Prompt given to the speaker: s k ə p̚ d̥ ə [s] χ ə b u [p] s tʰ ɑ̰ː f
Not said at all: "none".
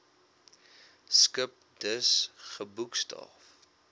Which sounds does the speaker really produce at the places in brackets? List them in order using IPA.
s, k

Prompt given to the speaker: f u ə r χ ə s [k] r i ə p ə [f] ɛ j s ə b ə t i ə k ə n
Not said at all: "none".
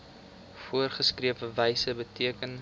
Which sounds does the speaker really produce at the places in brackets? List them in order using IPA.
k, v

